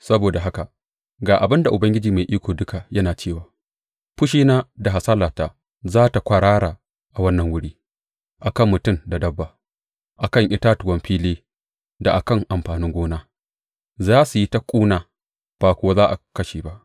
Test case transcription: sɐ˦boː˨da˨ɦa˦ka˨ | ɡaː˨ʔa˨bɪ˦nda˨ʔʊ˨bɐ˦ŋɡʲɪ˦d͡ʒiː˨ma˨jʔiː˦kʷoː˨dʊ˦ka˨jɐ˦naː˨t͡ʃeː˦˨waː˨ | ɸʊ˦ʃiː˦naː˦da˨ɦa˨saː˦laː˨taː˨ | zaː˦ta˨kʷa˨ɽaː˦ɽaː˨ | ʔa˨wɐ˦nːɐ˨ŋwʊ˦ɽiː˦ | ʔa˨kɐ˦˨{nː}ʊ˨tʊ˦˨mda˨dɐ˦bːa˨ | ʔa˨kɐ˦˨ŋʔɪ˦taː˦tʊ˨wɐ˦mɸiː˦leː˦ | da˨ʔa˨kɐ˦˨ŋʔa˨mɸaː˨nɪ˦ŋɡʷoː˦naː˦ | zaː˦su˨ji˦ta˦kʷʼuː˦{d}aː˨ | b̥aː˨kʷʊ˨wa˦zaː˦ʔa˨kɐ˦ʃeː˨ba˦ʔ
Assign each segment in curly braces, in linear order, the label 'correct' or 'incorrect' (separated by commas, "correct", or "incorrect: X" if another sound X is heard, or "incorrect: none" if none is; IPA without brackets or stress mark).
incorrect: mː, incorrect: n